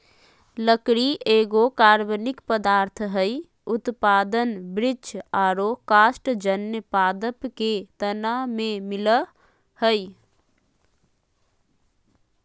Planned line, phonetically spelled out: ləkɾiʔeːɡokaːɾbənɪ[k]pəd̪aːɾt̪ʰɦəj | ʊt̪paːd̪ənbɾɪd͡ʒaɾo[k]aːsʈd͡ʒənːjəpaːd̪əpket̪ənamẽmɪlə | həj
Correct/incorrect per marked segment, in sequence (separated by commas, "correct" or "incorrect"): correct, correct